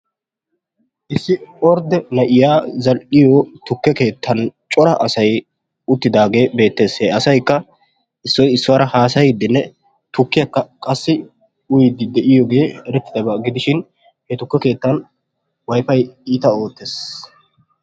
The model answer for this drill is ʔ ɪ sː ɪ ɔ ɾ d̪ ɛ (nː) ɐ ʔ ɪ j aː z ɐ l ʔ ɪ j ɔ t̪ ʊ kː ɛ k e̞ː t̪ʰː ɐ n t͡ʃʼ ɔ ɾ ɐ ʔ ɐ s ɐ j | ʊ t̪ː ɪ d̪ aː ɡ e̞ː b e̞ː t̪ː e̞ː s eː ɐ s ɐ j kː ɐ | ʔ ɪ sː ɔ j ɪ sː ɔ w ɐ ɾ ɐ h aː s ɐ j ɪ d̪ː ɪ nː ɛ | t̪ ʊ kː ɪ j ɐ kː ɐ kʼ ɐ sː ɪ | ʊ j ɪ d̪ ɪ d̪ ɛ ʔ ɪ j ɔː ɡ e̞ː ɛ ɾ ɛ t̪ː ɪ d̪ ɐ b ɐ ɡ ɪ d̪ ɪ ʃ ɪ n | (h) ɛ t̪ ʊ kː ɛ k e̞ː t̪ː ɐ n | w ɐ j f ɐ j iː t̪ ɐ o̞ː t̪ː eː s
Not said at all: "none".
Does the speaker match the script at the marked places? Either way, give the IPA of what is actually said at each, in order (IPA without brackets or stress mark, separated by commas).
n, h